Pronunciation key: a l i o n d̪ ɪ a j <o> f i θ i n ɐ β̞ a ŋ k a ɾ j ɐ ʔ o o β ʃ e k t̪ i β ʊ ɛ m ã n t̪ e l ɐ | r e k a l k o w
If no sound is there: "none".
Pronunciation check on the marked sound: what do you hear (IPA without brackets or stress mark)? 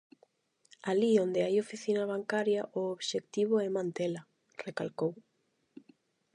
o